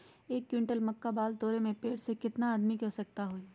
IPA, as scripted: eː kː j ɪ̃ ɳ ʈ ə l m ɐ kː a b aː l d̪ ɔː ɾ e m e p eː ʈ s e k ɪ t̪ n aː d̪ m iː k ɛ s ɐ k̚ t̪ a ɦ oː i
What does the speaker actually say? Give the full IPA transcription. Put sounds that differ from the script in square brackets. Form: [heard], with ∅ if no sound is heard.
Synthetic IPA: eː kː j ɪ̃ ɳ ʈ ə l m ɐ kː a b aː l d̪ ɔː ɾ e m [ẽ] p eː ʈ s e k ɪ t̪ n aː d̪ m [i] k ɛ s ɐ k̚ t̪ a ɦ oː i